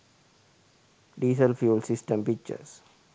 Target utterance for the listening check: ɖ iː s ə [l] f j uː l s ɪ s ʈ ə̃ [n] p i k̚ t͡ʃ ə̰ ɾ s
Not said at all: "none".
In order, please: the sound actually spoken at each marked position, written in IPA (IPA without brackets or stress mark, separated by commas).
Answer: l, m